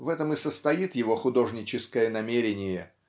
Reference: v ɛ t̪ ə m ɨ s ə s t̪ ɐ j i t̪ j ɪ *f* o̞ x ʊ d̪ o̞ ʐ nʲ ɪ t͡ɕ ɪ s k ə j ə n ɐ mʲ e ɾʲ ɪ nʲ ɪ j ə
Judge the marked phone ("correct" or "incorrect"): incorrect